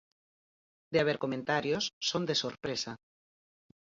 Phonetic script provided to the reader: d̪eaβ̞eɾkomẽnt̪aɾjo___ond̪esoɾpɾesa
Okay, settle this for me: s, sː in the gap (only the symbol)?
sː